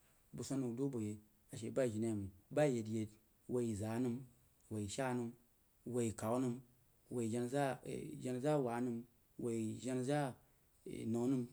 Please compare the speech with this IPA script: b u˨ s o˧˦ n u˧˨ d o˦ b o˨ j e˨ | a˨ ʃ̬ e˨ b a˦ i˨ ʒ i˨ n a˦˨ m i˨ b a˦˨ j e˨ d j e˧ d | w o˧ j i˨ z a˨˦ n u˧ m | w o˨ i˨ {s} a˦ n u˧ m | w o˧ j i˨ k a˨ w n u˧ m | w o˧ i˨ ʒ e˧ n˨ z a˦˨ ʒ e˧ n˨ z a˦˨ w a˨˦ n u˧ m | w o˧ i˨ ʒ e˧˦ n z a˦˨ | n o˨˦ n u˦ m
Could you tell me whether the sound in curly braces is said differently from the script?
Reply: yes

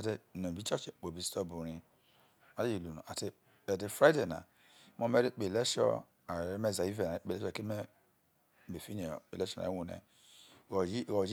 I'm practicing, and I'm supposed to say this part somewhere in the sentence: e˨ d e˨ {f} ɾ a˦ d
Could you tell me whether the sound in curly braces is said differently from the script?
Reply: no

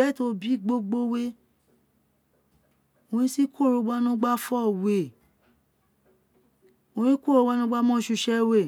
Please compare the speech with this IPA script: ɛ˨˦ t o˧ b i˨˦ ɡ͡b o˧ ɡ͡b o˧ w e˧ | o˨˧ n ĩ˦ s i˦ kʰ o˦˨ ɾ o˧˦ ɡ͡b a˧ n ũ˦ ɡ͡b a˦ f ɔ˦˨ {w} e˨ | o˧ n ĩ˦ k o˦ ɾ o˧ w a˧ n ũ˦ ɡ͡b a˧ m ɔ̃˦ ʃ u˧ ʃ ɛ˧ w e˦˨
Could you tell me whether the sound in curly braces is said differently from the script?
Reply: no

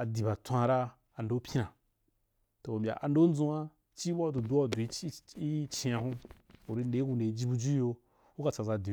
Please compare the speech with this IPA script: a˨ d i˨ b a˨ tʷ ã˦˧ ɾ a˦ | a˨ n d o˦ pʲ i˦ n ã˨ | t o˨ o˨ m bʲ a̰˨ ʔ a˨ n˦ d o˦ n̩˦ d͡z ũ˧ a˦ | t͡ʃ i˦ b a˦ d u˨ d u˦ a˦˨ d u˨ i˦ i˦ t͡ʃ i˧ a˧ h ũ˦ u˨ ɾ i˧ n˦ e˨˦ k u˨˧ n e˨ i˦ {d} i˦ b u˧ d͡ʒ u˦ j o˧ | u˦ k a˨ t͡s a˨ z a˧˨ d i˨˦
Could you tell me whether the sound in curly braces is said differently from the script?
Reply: yes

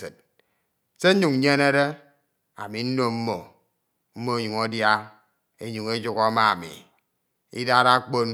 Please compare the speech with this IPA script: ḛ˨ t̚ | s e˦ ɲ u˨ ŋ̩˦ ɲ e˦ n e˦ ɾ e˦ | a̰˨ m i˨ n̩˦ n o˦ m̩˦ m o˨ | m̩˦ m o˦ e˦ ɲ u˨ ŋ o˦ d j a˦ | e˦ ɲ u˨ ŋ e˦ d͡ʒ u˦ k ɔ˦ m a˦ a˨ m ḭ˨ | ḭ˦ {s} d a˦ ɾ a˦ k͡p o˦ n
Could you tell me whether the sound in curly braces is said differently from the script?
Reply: yes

